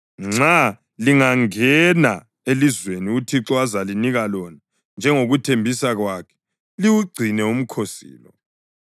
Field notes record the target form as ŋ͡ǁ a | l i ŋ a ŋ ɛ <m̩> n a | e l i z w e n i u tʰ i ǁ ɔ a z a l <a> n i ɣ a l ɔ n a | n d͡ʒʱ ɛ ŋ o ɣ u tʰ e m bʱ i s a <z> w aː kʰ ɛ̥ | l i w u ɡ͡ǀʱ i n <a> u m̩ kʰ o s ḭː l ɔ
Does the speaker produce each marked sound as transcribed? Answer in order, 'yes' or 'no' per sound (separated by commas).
no, no, no, no